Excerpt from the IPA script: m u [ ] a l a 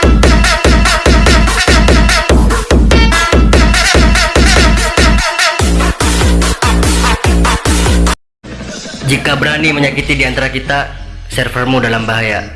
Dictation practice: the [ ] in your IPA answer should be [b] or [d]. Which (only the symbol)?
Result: d